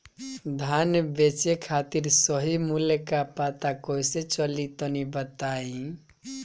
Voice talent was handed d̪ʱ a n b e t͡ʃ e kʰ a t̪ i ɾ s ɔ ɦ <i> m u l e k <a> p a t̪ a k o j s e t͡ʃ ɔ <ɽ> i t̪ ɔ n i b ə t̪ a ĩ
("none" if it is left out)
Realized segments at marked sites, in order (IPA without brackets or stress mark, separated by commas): i, a, l